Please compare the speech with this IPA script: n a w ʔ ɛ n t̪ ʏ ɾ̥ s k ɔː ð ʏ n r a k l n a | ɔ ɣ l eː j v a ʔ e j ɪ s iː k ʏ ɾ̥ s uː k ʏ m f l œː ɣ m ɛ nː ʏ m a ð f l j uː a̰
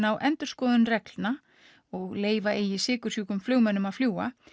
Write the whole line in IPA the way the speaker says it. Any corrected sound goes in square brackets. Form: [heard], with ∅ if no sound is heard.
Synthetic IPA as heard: n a w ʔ ɛ n t̪ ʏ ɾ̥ s k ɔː ð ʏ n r [ɛ] k l n a | ɔ ɣ l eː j v a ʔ e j ɪ s [ɪː] k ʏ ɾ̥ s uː k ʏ m f l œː ɣ m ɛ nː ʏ m a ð f l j uː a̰